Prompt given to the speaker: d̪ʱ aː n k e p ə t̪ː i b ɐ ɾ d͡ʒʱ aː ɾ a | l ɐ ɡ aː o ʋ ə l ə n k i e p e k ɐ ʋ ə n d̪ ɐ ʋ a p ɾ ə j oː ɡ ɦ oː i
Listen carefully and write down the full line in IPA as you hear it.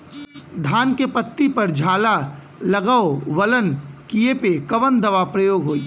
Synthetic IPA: d̪ʱ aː n k e p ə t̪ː i p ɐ ɾ d͡ʒʱ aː l a | l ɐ ɡ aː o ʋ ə l ə n k i e p e k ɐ ʋ ə n d̪ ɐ ʋ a p ɾ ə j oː ɡ ɦ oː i